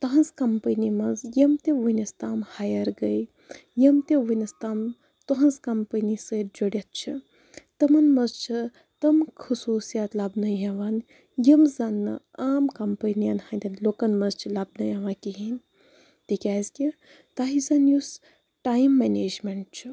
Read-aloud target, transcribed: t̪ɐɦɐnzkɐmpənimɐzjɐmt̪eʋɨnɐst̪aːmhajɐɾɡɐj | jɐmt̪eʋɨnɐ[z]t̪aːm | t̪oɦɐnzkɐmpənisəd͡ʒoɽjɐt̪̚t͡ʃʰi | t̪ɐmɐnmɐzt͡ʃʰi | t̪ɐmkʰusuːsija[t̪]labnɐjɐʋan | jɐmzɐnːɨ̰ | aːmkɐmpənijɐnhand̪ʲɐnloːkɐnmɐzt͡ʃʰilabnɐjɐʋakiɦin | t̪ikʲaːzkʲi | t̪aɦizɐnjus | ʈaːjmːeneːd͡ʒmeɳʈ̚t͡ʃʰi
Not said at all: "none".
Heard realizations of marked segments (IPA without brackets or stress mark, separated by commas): s, t̪